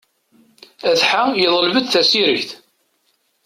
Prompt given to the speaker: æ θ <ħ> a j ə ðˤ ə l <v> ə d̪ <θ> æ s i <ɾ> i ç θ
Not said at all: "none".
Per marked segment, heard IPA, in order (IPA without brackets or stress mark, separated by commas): ħ, v, θ, ɾ